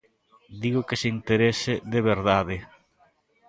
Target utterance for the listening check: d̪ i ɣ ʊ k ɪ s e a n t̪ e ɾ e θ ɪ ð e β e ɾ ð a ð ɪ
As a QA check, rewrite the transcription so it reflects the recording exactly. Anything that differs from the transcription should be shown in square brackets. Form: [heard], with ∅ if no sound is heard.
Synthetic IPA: d̪ i ɣ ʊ k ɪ s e [i] n t̪ e ɾ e [s] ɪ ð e β e ɾ ð a ð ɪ